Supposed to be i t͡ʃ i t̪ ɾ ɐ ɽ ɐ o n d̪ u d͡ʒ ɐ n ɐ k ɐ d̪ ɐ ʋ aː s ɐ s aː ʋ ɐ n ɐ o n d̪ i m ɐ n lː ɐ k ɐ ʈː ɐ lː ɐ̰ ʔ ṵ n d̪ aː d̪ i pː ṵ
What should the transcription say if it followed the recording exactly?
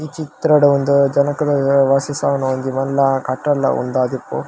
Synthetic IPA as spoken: i t͡ʃ i t̪ ɾ ɐ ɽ ɐ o n d̪ u d͡ʒ ɐ n ɐ k ɐ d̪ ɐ ʋ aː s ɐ s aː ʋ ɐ n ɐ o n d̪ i m ɐ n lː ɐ k ɐ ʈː ɐ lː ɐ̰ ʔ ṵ n d̪ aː d̪ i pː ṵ